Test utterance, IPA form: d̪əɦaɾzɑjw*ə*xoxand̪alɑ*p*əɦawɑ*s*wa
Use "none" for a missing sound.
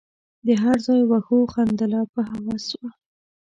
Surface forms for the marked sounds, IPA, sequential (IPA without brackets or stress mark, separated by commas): a, p, s